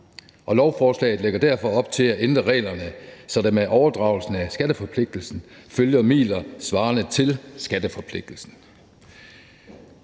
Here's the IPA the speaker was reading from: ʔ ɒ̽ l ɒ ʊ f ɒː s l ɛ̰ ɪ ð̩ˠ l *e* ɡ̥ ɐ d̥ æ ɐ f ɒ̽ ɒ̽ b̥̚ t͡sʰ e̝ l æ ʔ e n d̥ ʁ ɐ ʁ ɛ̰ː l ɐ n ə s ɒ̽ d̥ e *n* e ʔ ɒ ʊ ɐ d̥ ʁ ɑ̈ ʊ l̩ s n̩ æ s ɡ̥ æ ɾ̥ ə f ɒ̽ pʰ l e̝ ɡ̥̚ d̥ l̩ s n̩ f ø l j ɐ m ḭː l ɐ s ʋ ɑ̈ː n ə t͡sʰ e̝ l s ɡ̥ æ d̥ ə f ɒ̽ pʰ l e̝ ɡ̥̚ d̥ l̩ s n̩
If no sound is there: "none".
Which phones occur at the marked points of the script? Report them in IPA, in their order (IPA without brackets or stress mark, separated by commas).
e, m